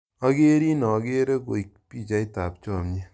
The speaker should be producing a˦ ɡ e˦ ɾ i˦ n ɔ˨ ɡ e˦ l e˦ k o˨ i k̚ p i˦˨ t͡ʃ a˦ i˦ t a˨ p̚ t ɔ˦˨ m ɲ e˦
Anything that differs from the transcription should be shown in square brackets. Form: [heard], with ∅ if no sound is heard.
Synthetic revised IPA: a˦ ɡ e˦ ɾ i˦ n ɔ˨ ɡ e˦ [ɾ] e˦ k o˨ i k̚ p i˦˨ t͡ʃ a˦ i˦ t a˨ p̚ [t͡ʃ] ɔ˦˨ m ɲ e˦